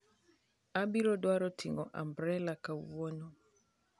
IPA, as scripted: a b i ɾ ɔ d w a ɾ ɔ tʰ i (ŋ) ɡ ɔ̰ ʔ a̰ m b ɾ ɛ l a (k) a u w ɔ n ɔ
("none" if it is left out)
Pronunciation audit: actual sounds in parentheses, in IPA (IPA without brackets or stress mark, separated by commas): ŋ, k